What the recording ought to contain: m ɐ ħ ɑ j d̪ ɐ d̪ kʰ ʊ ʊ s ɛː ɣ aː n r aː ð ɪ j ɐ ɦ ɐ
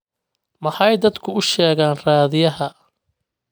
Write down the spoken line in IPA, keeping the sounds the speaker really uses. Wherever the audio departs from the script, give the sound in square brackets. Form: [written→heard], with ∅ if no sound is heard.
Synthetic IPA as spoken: m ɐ ħ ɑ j d̪ ɐ d̪ kʰ ʊ ʊ [s→ʃ] ɛː ɣ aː n r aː ð ɪ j ɐ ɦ ɐ

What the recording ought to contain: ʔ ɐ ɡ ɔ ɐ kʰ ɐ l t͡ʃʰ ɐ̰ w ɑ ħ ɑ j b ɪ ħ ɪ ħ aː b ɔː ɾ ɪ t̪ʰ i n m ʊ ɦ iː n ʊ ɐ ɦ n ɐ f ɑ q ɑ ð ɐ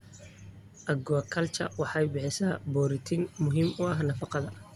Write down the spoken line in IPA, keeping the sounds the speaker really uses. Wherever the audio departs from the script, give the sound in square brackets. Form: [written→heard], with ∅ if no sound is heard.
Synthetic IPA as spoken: ʔ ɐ ɡ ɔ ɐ kʰ ɐ l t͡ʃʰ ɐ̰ w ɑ ħ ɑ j b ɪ ħ ɪ [ħ→s] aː b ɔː ɾ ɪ t̪ʰ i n m ʊ ɦ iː [n→m] ʊ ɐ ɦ n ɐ f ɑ q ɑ ð ɐ

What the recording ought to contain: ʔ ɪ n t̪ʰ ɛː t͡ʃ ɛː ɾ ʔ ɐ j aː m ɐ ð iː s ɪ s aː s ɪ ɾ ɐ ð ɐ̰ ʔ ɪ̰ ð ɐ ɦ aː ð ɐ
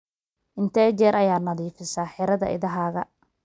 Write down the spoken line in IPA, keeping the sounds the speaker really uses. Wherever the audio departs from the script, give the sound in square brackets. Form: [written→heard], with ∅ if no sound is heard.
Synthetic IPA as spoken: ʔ ɪ n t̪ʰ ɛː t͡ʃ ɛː ɾ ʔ ɐ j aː [m→n] ɐ ð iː [s→f] ɪ s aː [s→ħ] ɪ ɾ ɐ ð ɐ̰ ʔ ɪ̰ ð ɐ ɦ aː [ð→ɣ] ɐ

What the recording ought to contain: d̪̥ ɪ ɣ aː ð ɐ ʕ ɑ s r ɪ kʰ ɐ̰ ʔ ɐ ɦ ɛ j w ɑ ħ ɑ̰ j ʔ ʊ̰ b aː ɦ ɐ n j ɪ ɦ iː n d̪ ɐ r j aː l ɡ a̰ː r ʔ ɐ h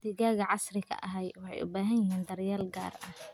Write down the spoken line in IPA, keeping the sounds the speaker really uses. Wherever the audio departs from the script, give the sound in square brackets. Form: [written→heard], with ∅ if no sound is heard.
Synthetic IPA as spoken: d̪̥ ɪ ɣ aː [ð→ɣ] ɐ ʕ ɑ s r ɪ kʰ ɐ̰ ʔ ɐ ɦ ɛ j w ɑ ħ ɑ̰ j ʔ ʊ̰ b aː ɦ ɐ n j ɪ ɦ iː n d̪ ɐ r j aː l ɡ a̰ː r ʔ ɐ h

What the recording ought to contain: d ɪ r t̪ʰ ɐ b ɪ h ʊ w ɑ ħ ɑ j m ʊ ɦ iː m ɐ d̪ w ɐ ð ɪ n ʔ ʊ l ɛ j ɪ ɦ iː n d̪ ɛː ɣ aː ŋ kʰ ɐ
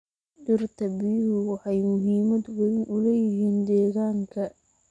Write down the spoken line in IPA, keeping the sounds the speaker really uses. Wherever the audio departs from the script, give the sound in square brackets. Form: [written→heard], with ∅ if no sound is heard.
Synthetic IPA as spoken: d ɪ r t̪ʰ ɐ b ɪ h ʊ w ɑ ħ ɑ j m ʊ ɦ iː m ɐ d̪ w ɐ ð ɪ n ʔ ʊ l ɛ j ɪ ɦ iː n d̪ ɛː ɣ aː ŋ kʰ ɐ

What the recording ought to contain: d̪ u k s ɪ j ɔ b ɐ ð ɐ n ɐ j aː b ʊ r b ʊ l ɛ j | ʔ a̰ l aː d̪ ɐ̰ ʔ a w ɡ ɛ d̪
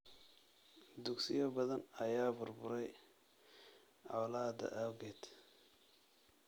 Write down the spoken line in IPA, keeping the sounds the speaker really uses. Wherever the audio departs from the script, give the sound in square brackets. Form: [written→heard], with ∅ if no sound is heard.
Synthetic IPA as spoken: d̪ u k s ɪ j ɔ b ɐ ð ɐ n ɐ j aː b ʊ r b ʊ [l→ɾ] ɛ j | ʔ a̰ l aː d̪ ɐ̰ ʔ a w ɡ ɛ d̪

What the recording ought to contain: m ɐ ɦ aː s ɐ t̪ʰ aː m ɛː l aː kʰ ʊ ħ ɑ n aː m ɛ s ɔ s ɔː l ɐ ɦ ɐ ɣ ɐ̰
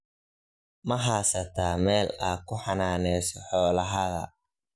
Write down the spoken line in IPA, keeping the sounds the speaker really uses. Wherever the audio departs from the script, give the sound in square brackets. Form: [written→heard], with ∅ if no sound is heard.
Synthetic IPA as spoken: m ɐ ɦ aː s ɐ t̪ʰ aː m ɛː l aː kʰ ʊ ħ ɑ n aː [m→n] ɛ s ɔ [s→ħ] ɔː l ɐ ɦ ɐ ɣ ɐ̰

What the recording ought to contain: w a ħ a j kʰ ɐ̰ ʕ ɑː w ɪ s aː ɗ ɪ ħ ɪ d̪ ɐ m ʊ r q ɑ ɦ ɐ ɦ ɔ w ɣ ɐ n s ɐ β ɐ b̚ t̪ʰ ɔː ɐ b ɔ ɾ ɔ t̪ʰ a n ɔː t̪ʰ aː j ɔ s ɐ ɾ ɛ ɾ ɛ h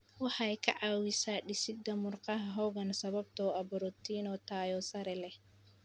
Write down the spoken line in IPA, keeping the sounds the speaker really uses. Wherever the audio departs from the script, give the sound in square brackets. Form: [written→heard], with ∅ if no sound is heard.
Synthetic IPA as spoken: w [a→ɑ] ħ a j kʰ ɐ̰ ʕ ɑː w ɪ s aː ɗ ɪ [ħ→s] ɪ d̪ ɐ m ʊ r q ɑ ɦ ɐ ɦ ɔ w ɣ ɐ n s ɐ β ɐ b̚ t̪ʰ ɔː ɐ b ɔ ɾ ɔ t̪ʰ [a→i] n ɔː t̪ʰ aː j ɔ s ɐ ɾ ɛ [ɾ→l] ɛ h

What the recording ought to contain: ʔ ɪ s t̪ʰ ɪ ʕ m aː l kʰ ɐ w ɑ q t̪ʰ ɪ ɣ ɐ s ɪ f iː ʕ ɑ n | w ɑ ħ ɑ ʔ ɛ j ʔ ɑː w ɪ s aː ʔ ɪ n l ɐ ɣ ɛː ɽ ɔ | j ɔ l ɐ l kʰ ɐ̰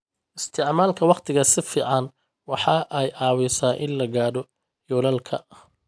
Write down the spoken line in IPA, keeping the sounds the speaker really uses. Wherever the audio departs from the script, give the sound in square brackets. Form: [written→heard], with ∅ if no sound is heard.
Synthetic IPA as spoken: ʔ ɪ s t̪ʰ ɪ ʕ m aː l kʰ ɐ w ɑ q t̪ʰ ɪ ɣ ɐ s ɪ f iː ʕ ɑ n | w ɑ ħ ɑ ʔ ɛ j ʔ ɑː w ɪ s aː ʔ ɪ n l ɐ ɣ [ɛː→aː] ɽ ɔ | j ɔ l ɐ l kʰ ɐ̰

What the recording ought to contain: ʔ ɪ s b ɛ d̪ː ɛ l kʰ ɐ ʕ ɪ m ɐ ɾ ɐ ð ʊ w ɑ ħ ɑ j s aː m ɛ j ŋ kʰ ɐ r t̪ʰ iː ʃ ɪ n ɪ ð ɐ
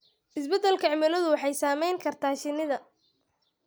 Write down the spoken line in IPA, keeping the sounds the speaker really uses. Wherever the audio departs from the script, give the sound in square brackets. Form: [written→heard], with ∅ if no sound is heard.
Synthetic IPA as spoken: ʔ ɪ s b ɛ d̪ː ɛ l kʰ ɐ ʕ ɪ m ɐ [ɾ→l] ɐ ð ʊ w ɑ ħ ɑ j s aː m ɛ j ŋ kʰ ɐ r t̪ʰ [iː→aː] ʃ ɪ n ɪ ð ɐ

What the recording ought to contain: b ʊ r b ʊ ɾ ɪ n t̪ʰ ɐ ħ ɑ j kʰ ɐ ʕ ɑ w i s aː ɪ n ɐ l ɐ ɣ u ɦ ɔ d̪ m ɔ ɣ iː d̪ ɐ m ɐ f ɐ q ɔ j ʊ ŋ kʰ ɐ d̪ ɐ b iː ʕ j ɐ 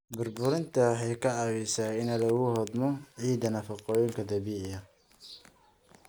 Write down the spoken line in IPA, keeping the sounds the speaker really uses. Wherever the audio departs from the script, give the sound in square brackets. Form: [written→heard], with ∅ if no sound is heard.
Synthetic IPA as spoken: b ʊ r b ʊ ɾ ɪ n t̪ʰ ɐ ħ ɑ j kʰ ɐ ʕ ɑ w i s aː ɪ n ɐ l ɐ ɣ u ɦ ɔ d̪ m ɔ [ɣ→ʕ] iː d̪ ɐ [m→n] ɐ f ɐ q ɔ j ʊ ŋ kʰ ɐ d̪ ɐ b iː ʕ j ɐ

